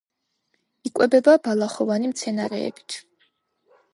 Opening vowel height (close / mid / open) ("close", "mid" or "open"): close